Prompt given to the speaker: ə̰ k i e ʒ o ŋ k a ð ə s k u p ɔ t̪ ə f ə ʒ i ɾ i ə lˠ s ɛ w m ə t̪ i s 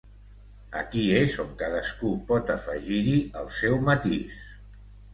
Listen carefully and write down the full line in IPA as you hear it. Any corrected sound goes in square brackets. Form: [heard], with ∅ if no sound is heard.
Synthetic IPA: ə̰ k i e [z] o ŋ k a ð ə s k u p ɔ t̪ ə f ə ʒ i ɾ i ə lˠ s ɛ w m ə t̪ i s